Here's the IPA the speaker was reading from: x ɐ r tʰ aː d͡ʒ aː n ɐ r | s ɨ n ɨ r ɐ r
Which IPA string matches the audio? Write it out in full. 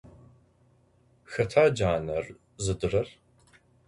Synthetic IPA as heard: x ɐ tʰ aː d͡ʒ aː n ɐ r | z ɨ d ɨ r ɐ r

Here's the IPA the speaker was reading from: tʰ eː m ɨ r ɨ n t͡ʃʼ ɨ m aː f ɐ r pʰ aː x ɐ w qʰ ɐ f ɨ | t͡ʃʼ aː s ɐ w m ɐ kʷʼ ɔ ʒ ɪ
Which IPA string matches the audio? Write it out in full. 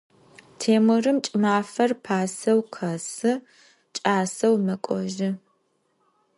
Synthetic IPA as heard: tʰ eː m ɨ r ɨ m t͡ʃʼ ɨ m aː f ɐ r pʰ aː s ɐ w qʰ ɐ s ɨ | t͡ʃʼ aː s ɐ w m ɐ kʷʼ ɔ ʒ ɪ

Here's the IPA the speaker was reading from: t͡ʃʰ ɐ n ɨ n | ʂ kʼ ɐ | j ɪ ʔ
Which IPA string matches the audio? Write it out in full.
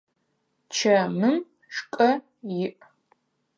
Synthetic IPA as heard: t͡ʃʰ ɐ m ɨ m | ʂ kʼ ɐ | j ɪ ʔ

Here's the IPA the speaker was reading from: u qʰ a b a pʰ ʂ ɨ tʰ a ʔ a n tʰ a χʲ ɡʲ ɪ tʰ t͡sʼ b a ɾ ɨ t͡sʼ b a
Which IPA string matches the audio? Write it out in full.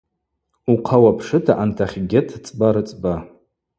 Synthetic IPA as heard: u qʰ a w a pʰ ʂ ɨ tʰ a ʔ a n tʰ a χʲ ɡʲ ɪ tʰ t͡sʼ b a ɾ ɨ t͡sʼ b a

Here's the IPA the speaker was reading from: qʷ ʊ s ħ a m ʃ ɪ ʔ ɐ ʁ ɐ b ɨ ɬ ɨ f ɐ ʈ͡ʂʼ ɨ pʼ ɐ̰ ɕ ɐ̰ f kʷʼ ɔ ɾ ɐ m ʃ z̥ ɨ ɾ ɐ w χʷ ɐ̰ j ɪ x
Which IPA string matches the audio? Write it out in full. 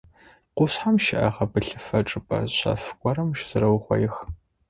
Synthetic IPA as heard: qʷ ʊ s ħ a m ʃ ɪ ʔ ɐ ʁ ɐ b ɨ ɬ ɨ f ɐ ʈ͡ʂʼ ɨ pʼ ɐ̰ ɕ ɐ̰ f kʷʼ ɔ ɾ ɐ m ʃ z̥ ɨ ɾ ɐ w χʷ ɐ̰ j ɪ x

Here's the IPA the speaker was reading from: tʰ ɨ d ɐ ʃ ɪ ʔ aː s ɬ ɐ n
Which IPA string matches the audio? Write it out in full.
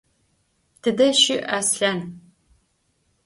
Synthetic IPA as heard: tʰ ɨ d ɐ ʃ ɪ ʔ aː s ɬ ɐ n

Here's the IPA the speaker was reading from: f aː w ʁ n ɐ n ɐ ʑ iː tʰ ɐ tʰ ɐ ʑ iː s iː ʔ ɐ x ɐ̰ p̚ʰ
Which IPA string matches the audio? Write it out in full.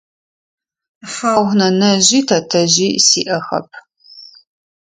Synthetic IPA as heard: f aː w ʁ n ɐ n ɐ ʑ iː tʰ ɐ tʰ ɐ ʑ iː s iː ʔ ɐ x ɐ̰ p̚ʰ

